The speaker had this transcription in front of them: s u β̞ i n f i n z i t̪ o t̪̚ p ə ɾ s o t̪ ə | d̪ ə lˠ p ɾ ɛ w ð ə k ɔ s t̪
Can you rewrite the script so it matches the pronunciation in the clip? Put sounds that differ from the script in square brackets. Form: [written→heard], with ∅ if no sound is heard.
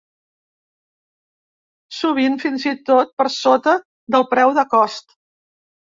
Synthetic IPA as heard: s u β̞ i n f i n z i t̪ o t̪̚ p ə ɾ s o t̪ ə | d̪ ə lˠ p ɾ ɛ w ð ə k ɔ s t̪